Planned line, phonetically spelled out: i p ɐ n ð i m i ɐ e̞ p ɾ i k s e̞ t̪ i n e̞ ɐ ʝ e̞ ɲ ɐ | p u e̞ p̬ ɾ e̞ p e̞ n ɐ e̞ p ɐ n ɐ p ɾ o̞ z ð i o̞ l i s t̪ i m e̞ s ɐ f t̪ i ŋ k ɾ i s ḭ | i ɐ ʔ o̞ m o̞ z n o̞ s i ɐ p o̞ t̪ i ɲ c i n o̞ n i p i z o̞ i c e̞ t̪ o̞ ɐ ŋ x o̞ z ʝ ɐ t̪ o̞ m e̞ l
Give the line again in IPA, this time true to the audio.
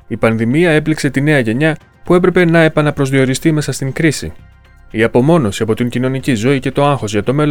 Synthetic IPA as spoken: i p ɐ n ð i m i ɐ e̞ p l i k s e̞ t̪ i n e̞ ɐ ʝ e̞ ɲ ɐ | p u e̞ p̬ ɾ e̞ p e̞ n ɐ e̞ p ɐ n ɐ p ɾ o̞ z ð i o̞ ɾ i s t̪ i m e̞ s ɐ s t̪ i ŋ k ɾ i s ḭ | i ɐ p o̞ m o̞ n o̞ s i ɐ p o̞ t̪ i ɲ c i n o̞ n i c i z o̞ i c e̞ t̪ o̞ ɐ ŋ x o̞ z ʝ ɐ t̪ o̞ m e̞ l